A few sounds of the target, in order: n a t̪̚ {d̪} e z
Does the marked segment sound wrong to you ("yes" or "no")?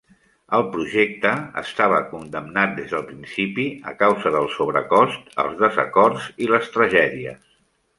no